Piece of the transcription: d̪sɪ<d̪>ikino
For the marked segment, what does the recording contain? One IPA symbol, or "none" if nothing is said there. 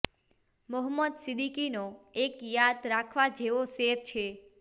d̪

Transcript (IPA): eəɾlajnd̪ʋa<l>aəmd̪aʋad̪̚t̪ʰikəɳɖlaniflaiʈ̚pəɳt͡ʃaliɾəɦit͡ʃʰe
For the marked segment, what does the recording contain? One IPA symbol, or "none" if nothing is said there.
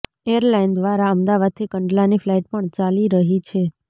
ɾ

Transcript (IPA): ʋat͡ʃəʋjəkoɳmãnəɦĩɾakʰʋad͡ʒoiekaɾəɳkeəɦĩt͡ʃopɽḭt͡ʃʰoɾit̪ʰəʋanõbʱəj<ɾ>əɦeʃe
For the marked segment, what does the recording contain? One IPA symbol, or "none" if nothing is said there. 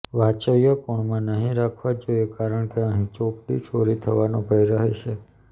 ɾ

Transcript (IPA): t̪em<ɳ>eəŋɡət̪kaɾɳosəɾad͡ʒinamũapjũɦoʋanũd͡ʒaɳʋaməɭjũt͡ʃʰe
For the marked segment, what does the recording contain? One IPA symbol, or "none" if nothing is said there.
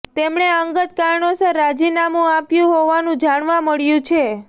ɳ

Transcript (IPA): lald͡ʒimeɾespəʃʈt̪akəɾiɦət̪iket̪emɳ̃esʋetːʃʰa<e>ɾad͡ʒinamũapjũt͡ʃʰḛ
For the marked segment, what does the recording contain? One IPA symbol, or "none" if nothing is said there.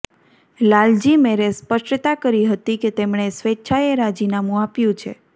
e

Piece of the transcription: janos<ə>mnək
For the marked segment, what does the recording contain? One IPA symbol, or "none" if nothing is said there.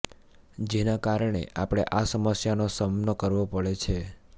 ə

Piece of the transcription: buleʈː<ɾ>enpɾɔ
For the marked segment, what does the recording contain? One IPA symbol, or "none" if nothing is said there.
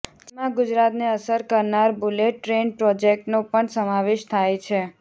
ɾ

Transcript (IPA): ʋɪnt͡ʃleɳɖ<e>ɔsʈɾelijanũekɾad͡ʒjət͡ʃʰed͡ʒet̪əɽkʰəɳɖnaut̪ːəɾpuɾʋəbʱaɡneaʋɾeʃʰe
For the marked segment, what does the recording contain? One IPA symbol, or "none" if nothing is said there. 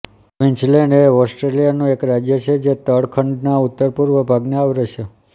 e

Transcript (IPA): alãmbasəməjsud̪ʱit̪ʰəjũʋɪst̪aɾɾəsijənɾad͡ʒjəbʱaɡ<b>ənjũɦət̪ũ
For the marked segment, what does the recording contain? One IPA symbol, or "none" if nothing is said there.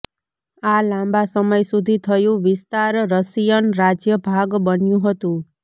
b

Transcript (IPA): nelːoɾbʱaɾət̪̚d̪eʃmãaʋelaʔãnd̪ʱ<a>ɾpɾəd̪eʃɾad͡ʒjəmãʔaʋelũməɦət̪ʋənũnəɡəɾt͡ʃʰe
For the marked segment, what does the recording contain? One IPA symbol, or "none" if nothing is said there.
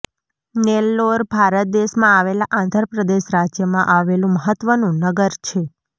ə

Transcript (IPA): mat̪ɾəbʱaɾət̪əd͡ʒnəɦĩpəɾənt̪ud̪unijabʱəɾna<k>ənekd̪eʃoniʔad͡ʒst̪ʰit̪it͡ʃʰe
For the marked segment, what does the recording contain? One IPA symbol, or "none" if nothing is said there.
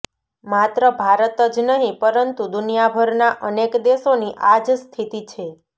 ʔ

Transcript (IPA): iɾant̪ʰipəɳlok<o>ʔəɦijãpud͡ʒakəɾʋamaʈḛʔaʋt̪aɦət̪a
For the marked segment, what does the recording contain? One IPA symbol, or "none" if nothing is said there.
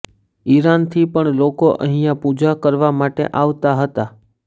o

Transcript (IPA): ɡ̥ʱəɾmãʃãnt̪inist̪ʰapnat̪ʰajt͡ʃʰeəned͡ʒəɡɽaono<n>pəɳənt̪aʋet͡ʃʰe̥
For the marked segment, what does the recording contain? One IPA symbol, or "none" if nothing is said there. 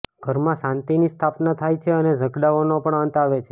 none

